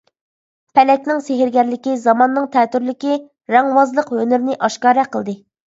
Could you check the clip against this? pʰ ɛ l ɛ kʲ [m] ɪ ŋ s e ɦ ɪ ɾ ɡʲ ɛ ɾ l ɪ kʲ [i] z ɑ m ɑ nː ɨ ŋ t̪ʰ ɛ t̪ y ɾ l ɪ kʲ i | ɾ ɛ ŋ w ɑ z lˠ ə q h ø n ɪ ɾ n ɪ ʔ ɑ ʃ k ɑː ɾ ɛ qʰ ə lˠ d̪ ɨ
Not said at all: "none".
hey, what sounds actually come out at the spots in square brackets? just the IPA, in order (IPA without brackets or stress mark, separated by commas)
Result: n, i